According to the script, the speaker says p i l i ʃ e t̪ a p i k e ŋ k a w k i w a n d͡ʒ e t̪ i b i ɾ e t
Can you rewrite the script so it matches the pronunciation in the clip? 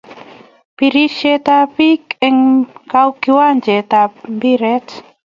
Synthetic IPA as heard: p i ɾ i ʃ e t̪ a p i k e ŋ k a w k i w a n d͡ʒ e t̪ a b i ɾ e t